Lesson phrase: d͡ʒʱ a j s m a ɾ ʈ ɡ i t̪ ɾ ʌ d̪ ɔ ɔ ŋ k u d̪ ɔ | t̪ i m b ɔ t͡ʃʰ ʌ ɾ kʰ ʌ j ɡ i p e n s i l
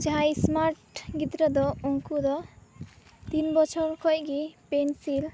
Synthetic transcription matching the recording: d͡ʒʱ a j s m a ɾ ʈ ɡ i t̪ ɾ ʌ d̪ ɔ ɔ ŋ k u d̪ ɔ | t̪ i n b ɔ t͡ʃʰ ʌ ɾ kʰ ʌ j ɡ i p e n s i l